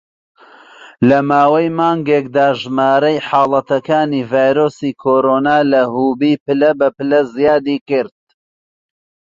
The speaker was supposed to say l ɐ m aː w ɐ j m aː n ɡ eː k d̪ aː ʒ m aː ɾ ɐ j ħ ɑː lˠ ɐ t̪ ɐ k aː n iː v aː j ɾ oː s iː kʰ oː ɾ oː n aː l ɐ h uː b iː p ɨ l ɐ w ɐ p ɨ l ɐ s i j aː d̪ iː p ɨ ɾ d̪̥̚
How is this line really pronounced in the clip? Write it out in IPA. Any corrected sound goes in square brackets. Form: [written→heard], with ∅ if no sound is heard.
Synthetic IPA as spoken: l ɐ m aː w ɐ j m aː [n→ŋ] ɡ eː k d̪ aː ʒ m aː ɾ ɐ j ħ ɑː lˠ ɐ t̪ ɐ k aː n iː v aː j ɾ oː s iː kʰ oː ɾ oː n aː l ɐ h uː b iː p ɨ l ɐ [w→b] ɐ p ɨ l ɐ [s→z] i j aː d̪ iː [p→k] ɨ ɾ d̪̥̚